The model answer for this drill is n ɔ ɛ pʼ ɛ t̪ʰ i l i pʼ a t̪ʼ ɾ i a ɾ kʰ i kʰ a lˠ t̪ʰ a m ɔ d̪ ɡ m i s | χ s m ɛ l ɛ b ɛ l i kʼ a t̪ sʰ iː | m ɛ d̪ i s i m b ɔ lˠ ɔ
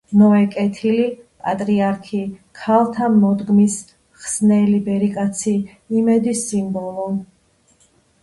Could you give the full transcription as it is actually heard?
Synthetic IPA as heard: n ɔ ɛ kʼ ɛ t̪ʰ i l i pʼ a t̪ʼ ɾ i a ɾ kʰ i kʰ a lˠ t̪ʰ a m ɔ d̪ ɡ m i s | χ s n ɛ l i b ɛ ɾ i kʼ a t̪ sʰ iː | m ɛ d̪ i s i m b ɔ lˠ ɔ